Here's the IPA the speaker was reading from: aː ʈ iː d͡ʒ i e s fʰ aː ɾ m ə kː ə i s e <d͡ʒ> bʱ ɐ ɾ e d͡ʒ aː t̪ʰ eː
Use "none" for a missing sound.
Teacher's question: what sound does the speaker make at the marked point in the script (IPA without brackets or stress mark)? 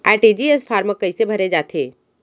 none